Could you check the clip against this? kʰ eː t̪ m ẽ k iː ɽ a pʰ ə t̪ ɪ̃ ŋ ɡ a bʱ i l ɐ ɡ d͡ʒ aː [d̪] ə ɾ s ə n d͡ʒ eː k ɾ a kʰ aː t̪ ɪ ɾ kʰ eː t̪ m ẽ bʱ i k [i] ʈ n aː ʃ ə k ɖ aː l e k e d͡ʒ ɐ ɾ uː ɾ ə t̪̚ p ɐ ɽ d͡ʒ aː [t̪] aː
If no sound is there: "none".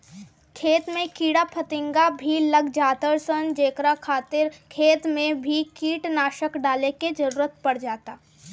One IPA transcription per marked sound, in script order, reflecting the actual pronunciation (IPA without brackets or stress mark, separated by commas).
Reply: t̪, iː, t̪